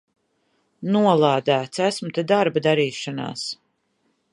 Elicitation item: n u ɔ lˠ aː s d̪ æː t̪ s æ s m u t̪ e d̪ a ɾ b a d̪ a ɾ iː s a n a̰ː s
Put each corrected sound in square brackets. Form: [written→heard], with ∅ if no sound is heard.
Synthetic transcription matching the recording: n u ɔ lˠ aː [s→∅] d̪ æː t̪ s æ s m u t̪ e d̪ a ɾ b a d̪ a ɾ iː [s→ʃ] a n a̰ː s